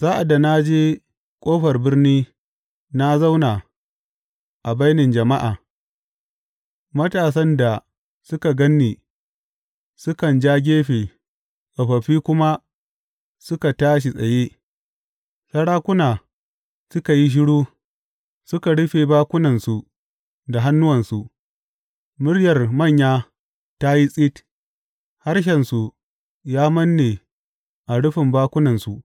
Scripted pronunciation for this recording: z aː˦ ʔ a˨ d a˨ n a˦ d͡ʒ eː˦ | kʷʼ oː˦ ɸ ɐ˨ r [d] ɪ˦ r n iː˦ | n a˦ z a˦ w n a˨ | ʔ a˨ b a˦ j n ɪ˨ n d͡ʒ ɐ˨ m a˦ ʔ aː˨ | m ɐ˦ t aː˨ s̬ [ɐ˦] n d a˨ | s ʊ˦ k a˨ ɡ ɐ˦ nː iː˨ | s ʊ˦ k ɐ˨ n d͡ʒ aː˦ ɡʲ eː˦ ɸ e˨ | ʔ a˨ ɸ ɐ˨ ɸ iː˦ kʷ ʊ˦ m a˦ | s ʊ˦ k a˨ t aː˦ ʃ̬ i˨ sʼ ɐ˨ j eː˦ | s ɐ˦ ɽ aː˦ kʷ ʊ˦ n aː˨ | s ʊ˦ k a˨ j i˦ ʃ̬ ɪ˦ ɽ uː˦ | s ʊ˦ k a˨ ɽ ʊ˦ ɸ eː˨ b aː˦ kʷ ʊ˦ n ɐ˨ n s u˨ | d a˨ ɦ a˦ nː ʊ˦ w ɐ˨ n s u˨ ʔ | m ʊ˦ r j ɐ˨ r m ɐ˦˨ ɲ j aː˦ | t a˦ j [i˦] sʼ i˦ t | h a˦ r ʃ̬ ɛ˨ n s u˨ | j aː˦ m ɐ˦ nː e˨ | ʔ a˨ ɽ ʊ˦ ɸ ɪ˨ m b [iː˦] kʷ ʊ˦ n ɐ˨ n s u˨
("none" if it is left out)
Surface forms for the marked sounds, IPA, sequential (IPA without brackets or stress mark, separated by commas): b, ɐ˦, i˦, aː˦